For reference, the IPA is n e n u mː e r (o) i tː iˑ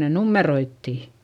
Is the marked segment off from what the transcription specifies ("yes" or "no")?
no